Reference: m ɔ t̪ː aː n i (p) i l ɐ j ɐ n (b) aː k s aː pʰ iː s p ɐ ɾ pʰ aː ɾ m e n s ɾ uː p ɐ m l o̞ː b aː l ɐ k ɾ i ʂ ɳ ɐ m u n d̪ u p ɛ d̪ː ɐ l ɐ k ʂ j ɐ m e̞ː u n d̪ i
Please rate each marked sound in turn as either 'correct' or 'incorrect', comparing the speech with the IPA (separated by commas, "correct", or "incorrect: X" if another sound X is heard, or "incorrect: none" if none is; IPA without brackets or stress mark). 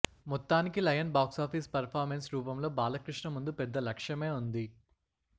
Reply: incorrect: k, correct